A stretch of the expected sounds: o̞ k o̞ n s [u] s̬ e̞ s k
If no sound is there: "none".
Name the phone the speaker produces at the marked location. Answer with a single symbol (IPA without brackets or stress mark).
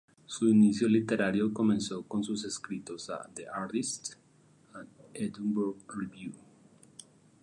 u